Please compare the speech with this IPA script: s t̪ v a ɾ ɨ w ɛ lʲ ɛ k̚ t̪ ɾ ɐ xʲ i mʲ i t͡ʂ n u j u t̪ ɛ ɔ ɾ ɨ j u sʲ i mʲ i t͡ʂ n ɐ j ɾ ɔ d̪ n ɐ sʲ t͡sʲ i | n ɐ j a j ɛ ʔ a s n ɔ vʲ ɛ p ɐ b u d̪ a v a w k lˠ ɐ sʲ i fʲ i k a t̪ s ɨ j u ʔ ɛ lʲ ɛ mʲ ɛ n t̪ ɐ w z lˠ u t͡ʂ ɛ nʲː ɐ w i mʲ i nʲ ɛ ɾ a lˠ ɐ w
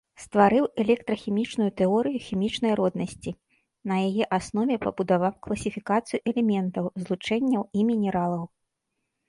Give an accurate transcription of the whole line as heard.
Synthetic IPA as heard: s t̪ v a ɾ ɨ w ɛ lʲ ɛ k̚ t̪ ɾ ɐ xʲ i mʲ i t͡ʂ n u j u t̪ ɛ ɔ ɾ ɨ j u xʲ i mʲ i t͡ʂ n ɐ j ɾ ɔ d̪ n ɐ sʲ t͡sʲ i | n ɐ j a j ɛ ʔ a s n ɔ vʲ ɛ p ɐ b u d̪ a v a w k lˠ ɐ sʲ i fʲ i k a t̪ s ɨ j u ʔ ɛ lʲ ɛ mʲ ɛ n t̪ ɐ w z lˠ u t͡ʂ ɛ nʲː ɐ w i mʲ i nʲ ɛ ɾ a lˠ ɐ w